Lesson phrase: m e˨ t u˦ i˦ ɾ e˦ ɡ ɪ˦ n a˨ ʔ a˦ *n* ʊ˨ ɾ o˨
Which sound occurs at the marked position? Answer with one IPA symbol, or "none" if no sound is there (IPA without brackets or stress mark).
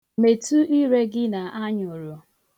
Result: ɲ